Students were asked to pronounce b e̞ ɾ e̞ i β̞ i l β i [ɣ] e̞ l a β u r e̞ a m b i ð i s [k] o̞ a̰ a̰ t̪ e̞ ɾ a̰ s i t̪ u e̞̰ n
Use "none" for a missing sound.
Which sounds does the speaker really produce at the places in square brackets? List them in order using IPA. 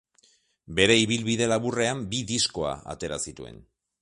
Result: ð, k

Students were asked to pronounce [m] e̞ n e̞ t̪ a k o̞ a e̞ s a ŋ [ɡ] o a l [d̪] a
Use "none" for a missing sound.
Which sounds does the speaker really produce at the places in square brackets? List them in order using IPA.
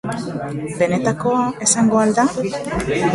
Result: b, ɡ, d̪

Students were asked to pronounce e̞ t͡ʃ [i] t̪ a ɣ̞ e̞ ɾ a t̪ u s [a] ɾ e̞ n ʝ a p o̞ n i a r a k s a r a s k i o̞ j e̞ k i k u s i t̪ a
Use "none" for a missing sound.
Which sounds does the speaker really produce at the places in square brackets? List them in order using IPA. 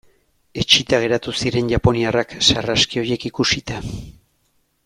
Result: i, i

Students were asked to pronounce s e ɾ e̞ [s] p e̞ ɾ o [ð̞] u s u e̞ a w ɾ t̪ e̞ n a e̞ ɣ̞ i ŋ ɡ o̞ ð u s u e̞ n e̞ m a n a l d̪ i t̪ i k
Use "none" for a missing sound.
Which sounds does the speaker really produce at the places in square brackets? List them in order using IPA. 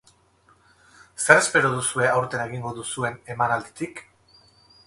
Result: s, ð̞

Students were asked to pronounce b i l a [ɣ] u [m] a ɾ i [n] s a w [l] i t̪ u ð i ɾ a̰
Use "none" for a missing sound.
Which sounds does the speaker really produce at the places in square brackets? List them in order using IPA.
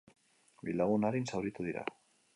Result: ɣ, n, n, ɾ

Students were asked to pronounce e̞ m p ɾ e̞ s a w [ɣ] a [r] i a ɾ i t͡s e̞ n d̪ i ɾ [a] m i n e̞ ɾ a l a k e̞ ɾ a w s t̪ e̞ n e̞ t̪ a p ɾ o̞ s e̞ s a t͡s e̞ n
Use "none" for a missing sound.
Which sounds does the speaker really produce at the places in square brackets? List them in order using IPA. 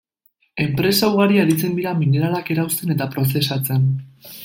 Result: ɣ, ɾ, a

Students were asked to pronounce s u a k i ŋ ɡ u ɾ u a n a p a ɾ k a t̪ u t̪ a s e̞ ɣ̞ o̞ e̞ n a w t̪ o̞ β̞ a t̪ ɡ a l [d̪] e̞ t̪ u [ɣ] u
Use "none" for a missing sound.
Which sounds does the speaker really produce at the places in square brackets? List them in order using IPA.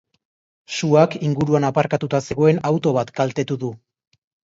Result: t̪, ð

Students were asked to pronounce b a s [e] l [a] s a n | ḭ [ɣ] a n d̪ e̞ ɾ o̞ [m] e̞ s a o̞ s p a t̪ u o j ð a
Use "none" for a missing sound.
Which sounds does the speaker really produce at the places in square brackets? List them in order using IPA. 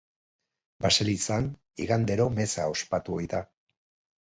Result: e, i, ɣ, m

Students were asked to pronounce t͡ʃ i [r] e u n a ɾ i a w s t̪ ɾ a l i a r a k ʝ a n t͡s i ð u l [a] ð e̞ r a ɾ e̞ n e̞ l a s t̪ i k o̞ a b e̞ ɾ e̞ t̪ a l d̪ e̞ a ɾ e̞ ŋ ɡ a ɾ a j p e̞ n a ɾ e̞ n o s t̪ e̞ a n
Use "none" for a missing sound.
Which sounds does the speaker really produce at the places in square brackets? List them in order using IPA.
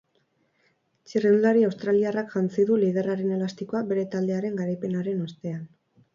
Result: r, i

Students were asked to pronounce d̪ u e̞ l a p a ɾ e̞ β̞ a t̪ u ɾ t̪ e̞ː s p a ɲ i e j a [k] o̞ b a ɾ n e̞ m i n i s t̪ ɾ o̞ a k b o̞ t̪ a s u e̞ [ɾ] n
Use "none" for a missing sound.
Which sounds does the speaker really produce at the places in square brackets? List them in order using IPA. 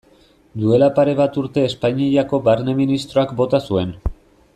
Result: k, none

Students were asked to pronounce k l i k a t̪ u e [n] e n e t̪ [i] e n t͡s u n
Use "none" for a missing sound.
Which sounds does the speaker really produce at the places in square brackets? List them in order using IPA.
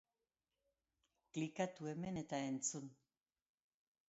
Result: m, a

